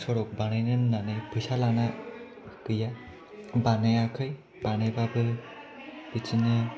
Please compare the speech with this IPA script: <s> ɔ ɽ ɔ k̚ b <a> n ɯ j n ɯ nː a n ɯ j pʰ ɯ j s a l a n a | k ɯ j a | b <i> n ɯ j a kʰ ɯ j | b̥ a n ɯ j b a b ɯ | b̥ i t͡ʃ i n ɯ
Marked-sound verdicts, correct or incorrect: correct, correct, incorrect: a

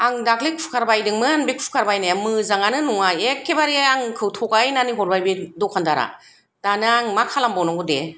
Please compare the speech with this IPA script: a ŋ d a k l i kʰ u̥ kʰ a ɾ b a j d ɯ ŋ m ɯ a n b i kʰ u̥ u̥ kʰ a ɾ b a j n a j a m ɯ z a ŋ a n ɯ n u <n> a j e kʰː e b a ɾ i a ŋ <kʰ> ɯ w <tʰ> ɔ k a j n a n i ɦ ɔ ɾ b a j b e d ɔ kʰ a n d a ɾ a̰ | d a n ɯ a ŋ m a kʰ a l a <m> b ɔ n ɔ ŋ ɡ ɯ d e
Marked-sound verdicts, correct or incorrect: incorrect: ŋ, correct, correct, correct

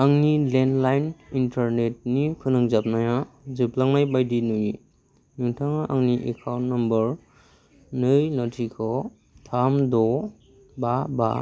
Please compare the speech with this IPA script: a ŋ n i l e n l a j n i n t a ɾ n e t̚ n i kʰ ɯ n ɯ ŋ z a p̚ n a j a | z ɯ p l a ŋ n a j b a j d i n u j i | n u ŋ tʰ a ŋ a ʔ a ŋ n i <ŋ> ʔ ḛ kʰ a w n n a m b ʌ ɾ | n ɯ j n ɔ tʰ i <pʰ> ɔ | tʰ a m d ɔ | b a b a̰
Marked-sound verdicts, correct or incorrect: incorrect: none, incorrect: kʰ

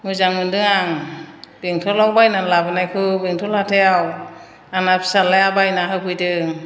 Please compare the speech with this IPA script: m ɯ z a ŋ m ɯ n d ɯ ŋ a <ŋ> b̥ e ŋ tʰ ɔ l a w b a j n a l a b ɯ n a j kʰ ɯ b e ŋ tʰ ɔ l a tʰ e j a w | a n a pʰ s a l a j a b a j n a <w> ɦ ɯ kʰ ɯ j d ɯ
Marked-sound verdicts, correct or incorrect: correct, incorrect: none

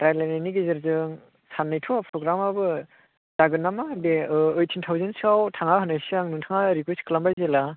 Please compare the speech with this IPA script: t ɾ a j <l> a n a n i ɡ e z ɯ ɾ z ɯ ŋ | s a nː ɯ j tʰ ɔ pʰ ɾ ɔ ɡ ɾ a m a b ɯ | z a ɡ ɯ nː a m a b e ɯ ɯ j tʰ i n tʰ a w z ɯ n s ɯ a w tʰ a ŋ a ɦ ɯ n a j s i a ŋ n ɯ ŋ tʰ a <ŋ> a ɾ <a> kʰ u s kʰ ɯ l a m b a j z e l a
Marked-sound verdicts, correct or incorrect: correct, correct, incorrect: i

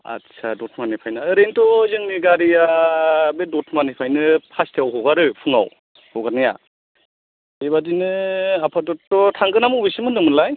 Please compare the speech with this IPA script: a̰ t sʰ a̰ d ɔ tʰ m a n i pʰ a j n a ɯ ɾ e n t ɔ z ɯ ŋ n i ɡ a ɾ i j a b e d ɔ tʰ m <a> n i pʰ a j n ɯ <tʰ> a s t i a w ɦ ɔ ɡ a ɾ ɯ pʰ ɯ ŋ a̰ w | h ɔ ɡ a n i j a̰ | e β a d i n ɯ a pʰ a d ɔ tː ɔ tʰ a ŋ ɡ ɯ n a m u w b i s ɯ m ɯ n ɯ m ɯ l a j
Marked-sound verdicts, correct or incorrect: correct, incorrect: pʰ

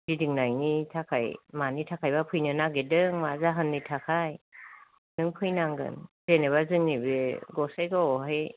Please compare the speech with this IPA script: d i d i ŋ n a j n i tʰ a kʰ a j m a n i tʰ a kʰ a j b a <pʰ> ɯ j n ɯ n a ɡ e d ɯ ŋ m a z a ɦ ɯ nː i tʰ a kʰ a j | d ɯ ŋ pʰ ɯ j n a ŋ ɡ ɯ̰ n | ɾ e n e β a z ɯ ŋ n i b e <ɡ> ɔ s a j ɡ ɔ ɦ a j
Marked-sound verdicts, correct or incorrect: correct, correct

